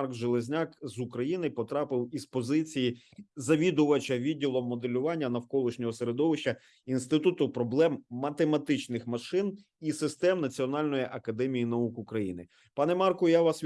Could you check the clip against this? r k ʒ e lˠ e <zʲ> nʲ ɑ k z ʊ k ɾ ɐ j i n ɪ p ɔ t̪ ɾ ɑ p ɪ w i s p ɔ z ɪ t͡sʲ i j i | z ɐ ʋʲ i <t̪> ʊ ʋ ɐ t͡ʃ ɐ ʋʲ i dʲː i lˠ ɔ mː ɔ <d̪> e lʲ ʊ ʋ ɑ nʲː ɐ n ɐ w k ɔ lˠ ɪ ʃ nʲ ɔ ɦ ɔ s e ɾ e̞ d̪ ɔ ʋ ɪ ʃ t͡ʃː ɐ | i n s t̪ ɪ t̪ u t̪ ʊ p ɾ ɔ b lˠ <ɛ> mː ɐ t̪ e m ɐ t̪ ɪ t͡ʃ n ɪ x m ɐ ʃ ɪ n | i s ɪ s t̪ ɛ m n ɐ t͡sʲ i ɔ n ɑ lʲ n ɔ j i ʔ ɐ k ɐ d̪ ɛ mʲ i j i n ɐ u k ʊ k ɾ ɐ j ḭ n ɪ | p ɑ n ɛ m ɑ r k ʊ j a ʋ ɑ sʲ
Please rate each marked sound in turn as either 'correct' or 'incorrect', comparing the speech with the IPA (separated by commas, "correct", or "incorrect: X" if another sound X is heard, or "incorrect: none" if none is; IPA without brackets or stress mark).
correct, incorrect: d̪, correct, correct